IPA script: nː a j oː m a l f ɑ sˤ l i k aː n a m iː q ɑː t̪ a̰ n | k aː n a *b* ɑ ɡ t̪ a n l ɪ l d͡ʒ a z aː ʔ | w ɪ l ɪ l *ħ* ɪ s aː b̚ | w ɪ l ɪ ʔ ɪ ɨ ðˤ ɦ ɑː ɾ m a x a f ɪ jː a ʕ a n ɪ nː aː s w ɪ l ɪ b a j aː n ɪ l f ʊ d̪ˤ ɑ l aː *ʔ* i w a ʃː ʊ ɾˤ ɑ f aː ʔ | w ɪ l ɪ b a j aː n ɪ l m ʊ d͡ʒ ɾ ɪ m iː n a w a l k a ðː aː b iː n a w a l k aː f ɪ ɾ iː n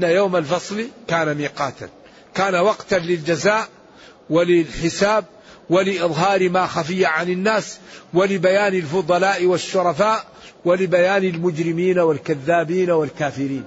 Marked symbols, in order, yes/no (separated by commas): no, yes, yes